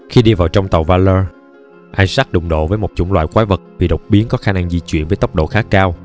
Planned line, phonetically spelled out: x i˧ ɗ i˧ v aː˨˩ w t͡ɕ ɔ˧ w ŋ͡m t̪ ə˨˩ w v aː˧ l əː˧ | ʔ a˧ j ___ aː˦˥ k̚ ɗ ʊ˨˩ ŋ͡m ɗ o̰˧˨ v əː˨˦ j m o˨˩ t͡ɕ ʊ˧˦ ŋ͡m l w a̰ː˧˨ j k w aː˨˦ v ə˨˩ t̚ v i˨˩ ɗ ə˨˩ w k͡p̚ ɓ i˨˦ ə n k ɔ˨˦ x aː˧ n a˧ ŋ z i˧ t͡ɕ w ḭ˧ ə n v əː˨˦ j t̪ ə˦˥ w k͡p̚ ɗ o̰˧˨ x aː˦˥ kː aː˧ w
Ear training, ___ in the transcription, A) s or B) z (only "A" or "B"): A